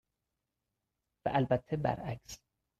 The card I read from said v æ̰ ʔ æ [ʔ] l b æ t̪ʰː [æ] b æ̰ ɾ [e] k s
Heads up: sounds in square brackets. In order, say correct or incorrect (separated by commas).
incorrect, incorrect, incorrect